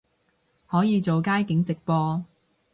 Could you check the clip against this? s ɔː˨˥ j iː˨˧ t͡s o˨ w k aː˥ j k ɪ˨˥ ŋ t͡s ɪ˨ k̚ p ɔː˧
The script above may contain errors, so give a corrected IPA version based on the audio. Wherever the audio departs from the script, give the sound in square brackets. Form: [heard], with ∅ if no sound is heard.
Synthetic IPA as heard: [h] ɔː˨˥ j iː˨˧ t͡s o˨ w k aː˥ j k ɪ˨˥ ŋ t͡s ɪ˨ k̚ p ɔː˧